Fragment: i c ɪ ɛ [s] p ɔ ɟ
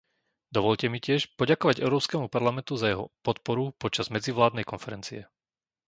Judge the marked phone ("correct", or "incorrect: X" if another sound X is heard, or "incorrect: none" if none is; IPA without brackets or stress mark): incorrect: ʃ